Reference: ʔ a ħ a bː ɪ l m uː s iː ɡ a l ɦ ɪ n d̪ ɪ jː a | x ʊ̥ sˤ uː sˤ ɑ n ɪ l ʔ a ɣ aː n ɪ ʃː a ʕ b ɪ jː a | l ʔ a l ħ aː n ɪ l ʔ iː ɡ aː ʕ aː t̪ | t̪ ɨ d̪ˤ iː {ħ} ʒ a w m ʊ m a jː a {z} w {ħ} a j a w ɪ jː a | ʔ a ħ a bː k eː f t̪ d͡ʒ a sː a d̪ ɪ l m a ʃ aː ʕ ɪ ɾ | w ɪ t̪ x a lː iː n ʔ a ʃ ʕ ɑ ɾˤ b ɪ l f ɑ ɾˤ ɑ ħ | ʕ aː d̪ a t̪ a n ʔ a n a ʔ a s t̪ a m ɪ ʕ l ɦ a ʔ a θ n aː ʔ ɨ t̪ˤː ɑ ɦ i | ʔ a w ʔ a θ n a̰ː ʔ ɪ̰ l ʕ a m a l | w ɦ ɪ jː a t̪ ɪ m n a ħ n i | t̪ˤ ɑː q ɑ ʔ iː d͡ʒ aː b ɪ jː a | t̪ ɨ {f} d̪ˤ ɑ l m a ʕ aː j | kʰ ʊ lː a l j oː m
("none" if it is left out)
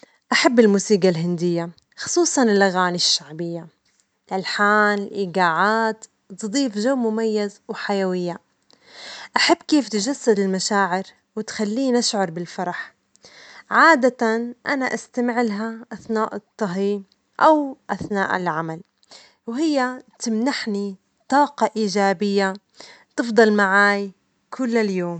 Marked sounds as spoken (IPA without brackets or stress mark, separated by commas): f, z, ħ, f